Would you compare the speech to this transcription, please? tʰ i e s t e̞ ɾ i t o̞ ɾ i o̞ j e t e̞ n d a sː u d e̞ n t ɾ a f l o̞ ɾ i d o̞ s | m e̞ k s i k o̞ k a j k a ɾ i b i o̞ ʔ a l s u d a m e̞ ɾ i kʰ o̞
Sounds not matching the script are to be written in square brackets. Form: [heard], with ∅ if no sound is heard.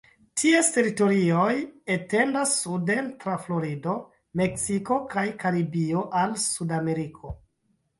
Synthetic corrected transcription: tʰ i e s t e̞ ɾ i t o̞ ɾ i o̞ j e t e̞ n d a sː u d e̞ n t ɾ a f l o̞ ɾ i d o̞ [∅] | m e̞ k s i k o̞ k a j k a ɾ i b i o̞ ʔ a l s u d a m e̞ ɾ i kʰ o̞